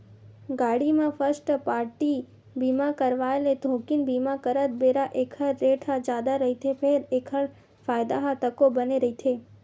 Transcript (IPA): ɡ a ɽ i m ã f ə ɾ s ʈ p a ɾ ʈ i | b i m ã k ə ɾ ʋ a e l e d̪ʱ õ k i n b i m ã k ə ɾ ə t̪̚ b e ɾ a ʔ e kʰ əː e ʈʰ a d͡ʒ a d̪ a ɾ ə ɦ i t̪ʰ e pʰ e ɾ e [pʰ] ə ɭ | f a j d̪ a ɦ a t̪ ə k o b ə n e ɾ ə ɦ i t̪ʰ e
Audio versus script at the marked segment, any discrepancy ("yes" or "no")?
yes